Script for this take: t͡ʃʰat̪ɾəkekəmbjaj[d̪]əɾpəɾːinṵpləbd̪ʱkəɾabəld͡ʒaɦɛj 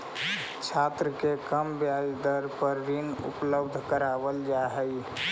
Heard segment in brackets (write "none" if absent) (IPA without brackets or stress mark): d̪